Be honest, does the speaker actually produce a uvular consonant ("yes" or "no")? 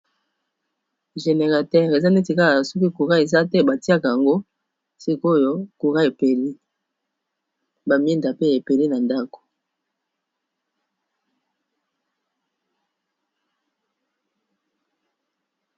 yes